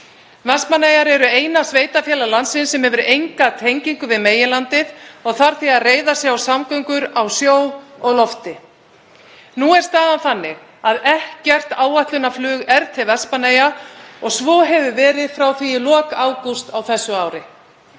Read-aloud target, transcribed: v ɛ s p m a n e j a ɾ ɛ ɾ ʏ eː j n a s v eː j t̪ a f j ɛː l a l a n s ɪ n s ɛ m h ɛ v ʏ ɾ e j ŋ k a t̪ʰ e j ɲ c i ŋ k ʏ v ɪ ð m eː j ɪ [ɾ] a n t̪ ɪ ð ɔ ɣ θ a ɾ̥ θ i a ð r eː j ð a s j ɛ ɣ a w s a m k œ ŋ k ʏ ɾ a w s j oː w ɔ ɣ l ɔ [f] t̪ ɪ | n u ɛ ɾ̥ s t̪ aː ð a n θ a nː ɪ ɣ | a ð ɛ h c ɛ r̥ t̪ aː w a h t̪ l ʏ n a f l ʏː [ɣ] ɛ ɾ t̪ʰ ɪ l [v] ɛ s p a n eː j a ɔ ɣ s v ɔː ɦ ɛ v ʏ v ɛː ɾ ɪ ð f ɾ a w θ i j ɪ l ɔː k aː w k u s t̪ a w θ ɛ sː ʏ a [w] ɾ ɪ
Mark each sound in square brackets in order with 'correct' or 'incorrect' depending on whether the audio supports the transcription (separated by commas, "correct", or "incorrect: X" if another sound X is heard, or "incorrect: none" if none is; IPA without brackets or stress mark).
incorrect: l, correct, correct, correct, correct